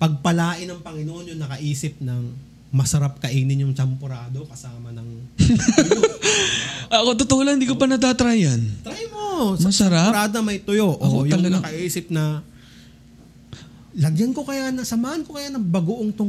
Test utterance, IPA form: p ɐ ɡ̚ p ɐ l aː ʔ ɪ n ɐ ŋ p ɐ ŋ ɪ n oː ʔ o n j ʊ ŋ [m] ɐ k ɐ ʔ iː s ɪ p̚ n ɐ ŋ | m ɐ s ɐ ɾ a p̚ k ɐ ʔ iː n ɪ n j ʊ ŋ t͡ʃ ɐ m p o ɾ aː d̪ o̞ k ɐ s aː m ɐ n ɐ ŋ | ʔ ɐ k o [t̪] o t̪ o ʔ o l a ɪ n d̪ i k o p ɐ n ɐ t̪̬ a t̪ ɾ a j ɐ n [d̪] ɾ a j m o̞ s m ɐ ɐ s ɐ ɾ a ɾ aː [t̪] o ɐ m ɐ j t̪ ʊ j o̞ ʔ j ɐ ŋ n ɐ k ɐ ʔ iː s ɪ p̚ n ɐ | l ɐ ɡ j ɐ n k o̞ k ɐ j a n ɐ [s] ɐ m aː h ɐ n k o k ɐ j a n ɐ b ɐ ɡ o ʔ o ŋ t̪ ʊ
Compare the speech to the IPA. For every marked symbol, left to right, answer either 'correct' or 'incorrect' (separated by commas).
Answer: incorrect, correct, incorrect, incorrect, correct